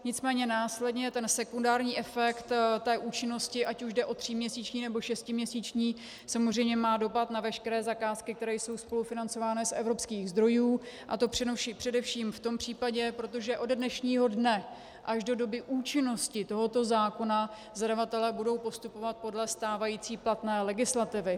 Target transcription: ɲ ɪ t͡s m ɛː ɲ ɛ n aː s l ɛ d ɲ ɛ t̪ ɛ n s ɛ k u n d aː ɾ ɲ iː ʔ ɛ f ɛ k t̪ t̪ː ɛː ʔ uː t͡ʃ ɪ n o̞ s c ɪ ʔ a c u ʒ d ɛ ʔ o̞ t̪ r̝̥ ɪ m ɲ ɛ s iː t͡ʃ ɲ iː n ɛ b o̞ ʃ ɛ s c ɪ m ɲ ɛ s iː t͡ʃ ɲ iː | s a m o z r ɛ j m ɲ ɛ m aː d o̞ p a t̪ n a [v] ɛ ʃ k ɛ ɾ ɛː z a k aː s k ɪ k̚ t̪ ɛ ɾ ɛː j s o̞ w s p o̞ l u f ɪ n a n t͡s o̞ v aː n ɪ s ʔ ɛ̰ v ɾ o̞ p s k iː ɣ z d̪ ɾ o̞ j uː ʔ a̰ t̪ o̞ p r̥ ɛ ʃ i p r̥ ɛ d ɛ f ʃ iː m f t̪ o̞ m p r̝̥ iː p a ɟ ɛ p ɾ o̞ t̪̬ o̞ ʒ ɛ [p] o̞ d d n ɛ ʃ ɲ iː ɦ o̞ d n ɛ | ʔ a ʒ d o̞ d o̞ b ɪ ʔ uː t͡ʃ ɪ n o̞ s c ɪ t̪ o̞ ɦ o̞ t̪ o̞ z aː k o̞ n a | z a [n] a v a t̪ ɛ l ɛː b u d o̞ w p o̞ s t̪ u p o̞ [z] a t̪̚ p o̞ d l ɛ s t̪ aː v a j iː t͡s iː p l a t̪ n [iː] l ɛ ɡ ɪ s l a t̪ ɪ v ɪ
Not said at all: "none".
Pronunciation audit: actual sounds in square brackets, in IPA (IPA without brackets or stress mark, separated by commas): v, ʔ, d, v, ɛː